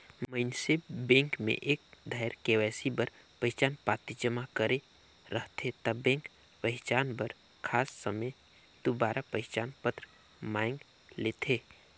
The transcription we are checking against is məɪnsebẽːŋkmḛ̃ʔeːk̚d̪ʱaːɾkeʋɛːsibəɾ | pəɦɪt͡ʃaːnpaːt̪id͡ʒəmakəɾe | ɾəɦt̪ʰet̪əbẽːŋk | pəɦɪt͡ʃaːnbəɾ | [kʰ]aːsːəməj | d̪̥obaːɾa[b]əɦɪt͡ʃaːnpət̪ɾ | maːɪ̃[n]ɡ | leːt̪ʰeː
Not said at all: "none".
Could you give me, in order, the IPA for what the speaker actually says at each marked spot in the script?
kʰ, p, ŋ

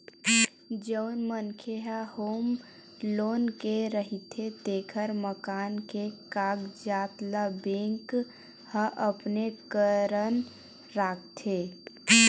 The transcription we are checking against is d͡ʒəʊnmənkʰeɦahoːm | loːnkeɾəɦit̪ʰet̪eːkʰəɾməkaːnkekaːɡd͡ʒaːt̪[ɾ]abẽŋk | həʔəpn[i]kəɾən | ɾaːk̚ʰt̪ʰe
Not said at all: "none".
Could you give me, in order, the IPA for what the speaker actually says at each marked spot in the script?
l, e

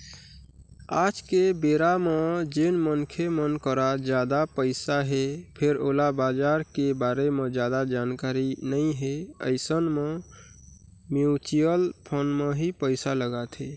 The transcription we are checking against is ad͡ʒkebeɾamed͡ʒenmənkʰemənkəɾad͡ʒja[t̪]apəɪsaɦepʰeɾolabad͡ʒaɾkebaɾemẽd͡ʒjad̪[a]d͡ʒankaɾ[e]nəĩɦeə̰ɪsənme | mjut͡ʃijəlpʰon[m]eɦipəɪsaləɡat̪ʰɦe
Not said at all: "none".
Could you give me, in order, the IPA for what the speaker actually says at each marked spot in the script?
d̪, a, i, m

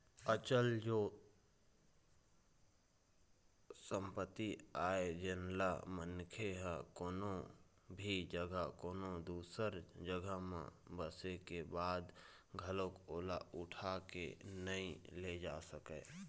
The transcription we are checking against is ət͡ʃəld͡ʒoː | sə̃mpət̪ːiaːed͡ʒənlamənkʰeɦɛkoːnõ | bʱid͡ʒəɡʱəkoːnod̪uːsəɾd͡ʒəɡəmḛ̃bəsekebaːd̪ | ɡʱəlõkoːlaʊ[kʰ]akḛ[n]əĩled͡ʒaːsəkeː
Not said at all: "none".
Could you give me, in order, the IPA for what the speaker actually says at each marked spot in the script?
ʈʰ, n

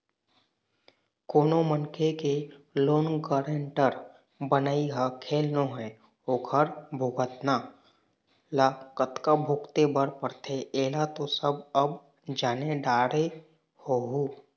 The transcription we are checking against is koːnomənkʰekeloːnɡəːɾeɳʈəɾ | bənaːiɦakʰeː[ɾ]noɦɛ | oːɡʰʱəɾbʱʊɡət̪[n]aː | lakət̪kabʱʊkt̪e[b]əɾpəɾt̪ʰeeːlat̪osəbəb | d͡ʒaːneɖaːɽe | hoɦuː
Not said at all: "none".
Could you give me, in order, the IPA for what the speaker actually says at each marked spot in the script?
l, n, b

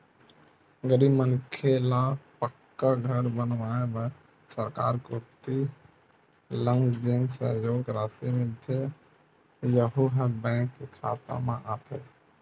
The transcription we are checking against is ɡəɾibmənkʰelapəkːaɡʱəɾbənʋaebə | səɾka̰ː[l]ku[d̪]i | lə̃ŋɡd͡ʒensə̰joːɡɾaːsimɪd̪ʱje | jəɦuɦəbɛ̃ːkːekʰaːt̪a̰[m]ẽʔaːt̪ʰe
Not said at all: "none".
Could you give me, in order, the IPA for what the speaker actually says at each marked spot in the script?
ɾ, t̪, m

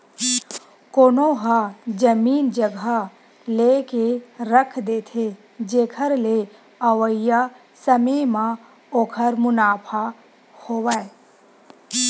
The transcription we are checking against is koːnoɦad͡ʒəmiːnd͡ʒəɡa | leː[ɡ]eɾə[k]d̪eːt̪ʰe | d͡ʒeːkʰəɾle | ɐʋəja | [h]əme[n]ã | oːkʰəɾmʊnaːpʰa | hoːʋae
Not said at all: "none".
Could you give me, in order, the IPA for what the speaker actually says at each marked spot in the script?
k, kʰ, s, m

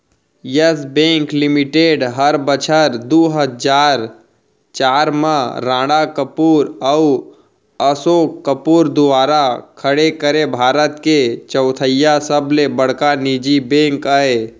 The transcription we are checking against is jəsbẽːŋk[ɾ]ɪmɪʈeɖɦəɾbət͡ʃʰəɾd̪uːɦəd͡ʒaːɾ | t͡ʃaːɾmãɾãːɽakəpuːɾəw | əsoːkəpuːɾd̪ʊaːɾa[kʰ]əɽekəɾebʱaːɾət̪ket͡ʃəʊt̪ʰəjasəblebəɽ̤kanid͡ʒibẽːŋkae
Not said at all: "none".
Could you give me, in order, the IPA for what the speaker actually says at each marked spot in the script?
l, kʰ

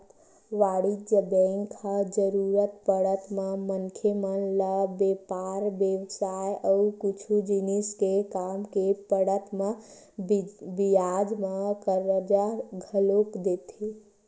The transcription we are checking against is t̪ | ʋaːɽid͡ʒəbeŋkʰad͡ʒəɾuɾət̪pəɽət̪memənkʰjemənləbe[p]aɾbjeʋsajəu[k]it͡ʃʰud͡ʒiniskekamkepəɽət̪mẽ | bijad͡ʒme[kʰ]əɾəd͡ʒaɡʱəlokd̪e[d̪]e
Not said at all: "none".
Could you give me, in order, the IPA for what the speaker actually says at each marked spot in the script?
p, k, k, t̪

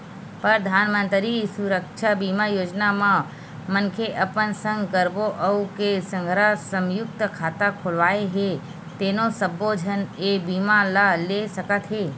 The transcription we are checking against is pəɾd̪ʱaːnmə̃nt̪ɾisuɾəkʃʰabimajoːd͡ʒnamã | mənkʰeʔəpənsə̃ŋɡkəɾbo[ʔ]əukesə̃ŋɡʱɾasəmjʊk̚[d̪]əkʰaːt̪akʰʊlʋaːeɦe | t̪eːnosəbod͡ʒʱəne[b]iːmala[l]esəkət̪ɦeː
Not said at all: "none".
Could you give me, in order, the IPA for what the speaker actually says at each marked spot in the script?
ʔ, t̪, b, l

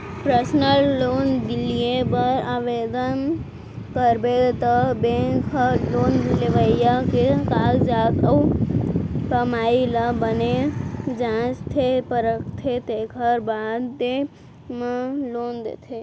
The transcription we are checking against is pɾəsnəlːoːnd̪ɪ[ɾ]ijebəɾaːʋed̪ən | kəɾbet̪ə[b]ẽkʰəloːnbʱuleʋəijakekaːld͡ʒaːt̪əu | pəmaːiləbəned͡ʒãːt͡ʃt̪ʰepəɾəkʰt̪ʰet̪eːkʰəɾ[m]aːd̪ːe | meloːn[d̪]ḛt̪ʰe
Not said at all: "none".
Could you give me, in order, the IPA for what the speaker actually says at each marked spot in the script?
l, b, b, d̪

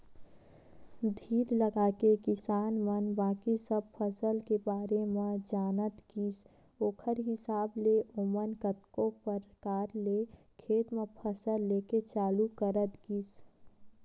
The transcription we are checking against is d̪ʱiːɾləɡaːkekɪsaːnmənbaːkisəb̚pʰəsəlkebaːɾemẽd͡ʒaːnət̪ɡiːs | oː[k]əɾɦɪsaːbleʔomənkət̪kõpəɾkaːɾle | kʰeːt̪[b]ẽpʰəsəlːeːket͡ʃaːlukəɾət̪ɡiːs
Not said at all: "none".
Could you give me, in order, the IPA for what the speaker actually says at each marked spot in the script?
kʰ, m

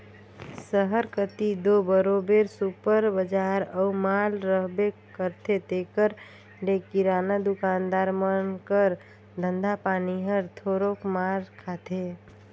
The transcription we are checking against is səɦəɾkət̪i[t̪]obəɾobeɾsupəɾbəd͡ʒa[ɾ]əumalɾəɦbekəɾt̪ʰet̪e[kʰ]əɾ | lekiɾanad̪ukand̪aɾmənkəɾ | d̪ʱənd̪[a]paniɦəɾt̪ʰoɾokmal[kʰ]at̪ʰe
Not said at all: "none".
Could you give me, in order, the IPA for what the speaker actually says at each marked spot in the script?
d̪, ɾ, k, a, kʰ

